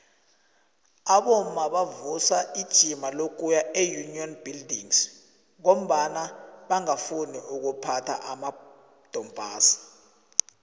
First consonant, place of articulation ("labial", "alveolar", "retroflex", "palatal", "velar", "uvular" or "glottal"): labial